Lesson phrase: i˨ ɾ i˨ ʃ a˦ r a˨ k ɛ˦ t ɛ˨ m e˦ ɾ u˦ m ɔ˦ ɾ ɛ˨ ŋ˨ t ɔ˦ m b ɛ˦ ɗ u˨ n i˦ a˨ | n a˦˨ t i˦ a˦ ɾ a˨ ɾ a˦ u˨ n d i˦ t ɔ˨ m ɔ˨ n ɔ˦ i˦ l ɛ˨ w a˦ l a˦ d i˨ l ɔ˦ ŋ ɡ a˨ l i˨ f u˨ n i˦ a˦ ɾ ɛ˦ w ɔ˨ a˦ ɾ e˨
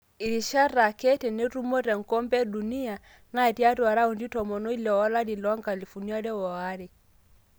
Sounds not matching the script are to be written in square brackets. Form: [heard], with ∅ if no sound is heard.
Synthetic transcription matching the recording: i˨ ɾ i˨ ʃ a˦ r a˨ k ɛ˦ t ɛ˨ [n] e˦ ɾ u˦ m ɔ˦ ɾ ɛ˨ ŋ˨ [k] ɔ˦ m b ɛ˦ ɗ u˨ n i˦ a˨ | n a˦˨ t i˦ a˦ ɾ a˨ ɾ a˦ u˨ n d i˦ t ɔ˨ m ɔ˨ n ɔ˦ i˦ l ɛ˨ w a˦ l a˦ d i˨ l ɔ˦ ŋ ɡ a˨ l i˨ f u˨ n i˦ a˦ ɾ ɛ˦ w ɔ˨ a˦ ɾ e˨

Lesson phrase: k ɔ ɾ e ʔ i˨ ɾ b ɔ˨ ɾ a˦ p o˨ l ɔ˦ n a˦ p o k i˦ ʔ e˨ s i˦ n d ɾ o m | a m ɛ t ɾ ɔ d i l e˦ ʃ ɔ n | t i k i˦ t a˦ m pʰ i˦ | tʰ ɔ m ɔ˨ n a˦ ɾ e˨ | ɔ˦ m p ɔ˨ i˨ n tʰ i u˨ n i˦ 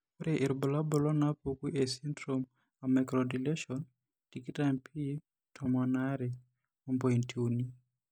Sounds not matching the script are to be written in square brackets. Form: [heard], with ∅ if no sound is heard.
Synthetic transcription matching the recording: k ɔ ɾ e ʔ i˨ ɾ b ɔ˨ [l] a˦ [b] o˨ l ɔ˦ n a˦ p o k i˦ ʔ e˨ s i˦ n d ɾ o m | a m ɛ [k] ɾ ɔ d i l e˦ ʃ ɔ n | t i k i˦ t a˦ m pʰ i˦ | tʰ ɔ m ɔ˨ n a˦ ɾ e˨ | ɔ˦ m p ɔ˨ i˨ n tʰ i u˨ n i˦

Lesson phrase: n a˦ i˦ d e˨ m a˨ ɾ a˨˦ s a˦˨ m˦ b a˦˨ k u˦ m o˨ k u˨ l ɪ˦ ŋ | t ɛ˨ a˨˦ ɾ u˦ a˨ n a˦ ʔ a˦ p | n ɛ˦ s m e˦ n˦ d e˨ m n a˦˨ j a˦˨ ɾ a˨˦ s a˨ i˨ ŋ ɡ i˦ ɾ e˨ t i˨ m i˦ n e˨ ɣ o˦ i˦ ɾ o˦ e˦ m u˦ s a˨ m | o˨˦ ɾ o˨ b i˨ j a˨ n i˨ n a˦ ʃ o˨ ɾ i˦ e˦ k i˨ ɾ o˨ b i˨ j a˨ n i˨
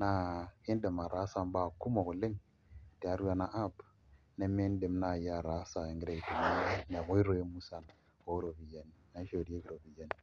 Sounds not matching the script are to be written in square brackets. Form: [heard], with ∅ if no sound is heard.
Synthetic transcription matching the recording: n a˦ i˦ d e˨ m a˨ ɾ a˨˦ s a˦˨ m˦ b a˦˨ k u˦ m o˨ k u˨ l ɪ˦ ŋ | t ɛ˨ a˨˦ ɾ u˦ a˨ n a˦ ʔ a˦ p | n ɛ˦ [∅] m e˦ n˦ d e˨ m n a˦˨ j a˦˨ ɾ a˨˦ s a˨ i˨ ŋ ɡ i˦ ɾ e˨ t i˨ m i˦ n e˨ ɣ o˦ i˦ ɾ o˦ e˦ m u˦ s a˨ [n] | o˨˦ ɾ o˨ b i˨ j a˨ n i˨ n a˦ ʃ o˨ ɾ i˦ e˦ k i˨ ɾ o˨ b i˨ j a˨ n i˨

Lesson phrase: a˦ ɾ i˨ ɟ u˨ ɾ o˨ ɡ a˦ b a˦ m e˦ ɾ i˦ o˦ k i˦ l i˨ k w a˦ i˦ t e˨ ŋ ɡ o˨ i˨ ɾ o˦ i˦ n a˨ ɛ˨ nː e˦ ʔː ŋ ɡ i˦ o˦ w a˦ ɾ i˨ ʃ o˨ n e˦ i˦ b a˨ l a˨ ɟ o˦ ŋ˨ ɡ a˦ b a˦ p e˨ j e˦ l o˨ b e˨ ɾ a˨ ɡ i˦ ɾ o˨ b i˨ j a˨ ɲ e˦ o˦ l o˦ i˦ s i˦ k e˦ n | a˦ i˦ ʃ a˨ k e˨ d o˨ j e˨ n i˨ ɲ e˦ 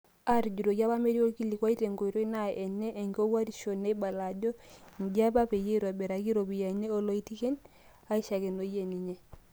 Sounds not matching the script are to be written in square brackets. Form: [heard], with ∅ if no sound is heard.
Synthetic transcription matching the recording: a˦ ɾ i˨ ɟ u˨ ɾ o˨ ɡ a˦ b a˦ m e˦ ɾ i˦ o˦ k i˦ l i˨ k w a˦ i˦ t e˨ ŋ ɡ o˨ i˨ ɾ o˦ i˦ n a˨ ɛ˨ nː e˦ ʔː ŋ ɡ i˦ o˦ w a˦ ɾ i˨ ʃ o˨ n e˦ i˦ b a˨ l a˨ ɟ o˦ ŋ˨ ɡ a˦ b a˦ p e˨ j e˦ [ɾ] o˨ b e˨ ɾ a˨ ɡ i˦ ɾ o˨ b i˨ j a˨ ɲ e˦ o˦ l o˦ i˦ [t] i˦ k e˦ n | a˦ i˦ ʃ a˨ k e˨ [n] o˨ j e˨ n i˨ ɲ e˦

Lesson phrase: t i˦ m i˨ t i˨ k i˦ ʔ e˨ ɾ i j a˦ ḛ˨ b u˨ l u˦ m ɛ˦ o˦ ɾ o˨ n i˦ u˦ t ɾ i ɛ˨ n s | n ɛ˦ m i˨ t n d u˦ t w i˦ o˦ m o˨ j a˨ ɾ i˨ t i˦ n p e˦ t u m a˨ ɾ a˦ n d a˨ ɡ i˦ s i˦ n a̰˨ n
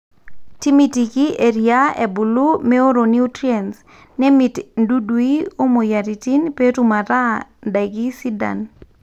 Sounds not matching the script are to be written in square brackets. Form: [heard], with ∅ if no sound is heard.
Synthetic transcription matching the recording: t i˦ m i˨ t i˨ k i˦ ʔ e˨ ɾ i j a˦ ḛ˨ b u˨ l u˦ m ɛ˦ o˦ ɾ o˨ n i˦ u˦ t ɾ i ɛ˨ n s | n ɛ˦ m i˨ t n d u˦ [d] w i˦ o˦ m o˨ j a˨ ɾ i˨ t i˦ n p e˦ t u m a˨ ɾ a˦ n d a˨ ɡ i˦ s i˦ [d] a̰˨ n

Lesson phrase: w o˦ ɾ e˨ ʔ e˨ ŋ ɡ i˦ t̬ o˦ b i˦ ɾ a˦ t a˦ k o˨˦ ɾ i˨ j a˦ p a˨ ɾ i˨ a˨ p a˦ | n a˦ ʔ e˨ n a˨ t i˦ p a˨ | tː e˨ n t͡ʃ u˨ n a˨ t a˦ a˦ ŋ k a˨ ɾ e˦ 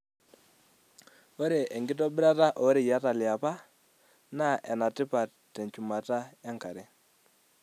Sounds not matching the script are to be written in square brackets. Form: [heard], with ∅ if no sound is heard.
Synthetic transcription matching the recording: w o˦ ɾ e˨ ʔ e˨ ŋ ɡ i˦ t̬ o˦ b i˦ ɾ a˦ t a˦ [ʔ] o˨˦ ɾ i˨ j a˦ [t] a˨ [l] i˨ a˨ p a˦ | n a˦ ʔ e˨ n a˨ t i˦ p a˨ | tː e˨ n t͡ʃ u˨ [m] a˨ t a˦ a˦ ŋ k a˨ ɾ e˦

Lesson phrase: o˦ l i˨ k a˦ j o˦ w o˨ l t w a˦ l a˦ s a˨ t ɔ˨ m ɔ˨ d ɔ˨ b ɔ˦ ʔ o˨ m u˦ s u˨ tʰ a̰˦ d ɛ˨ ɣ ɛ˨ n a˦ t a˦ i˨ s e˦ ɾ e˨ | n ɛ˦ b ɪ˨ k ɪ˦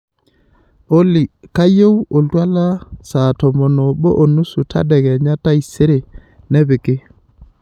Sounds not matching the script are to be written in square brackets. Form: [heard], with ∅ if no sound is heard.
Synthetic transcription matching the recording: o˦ l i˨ k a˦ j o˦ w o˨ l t w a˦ l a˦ s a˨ t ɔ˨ m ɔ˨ [n] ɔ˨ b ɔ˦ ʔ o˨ [n] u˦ s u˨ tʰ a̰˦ d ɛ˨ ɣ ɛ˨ [ɲ] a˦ t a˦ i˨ s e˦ ɾ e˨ | n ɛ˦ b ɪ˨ k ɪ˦

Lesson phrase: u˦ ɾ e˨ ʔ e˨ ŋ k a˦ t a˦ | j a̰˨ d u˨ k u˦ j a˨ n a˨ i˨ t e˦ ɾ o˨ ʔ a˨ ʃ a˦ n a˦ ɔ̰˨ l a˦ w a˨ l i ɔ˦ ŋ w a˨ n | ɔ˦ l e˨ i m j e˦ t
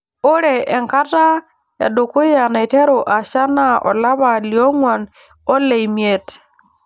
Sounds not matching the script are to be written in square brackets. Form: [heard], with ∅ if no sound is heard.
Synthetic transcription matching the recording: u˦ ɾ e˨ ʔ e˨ ŋ k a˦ t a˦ | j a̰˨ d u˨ k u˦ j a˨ n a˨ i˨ t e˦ ɾ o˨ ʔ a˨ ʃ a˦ n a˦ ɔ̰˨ l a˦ [β] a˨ l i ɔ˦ ŋ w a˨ n | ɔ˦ l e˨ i m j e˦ t

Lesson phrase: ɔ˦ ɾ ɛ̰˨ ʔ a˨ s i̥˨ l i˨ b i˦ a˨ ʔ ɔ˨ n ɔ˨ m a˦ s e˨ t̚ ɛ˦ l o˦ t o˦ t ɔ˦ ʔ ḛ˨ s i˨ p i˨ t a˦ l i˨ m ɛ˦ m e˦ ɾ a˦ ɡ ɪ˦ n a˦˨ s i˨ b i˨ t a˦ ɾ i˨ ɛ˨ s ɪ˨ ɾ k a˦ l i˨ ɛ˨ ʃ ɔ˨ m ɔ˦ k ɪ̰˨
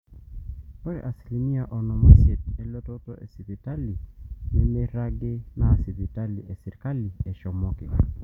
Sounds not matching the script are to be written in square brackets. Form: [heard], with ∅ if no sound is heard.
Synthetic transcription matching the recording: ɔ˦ ɾ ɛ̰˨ ʔ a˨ s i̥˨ l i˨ [m] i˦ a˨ ʔ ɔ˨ n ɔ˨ m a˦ s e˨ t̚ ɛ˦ l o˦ t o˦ t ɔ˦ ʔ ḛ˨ s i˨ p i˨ t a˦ l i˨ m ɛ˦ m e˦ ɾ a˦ ɡ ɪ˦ n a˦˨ s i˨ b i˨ t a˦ [l] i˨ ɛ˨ s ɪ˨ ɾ k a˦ l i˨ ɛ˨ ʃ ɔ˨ m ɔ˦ k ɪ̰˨

